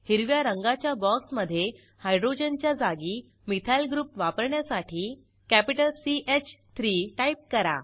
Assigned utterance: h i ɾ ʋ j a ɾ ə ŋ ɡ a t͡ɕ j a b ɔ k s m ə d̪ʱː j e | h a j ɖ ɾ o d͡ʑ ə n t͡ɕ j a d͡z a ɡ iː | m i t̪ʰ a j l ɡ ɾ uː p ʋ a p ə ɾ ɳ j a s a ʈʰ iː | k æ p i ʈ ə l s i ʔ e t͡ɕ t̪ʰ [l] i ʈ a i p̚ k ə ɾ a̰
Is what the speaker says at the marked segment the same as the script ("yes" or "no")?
no